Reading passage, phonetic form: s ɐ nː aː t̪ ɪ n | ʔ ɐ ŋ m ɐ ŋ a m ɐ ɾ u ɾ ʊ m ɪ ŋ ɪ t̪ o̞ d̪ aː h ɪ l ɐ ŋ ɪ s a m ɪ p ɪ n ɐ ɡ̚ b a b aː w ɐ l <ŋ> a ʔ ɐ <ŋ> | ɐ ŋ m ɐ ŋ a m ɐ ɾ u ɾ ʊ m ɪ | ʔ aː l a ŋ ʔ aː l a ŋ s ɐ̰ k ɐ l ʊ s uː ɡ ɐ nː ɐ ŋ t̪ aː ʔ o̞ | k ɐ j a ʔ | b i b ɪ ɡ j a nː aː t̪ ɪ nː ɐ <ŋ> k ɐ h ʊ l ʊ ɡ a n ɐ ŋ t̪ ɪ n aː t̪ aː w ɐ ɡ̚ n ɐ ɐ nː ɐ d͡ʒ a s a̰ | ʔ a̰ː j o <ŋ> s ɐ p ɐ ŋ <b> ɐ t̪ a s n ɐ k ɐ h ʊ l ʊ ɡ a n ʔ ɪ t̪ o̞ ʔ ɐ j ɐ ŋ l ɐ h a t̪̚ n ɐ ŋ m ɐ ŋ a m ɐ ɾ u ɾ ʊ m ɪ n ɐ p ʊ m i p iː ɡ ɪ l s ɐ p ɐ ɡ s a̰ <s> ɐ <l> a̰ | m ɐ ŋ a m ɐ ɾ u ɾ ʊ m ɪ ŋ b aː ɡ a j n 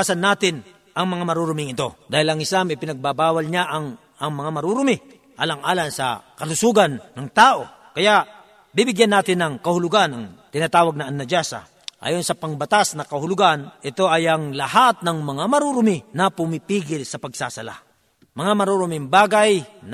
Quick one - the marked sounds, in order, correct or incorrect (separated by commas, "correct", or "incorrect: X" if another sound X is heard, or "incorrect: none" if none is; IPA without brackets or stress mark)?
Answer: incorrect: ɲ, correct, correct, incorrect: n, correct, correct, correct